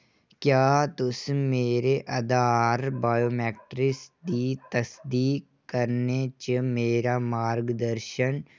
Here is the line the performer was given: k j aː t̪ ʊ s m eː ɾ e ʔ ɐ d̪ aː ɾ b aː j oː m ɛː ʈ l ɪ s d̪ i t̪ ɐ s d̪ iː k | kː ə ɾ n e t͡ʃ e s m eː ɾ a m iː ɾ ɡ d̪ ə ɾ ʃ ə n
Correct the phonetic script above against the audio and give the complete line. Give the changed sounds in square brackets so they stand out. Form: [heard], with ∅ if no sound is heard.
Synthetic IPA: k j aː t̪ ʊ s m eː ɾ e ʔ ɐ d̪ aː ɾ b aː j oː m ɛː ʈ [ɾ] ɪ s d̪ i t̪ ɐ s d̪ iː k | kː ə ɾ n e t͡ʃ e [∅] m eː ɾ a m [aː] ɾ ɡ d̪ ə ɾ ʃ ə n